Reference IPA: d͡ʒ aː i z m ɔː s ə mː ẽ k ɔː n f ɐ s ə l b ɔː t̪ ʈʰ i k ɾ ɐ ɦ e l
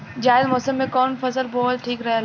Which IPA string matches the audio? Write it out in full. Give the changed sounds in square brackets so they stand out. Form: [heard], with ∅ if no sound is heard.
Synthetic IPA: d͡ʒ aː [ɪ] z m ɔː s ə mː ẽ k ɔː n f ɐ s ə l b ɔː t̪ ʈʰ [iː] k ɾ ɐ ɦ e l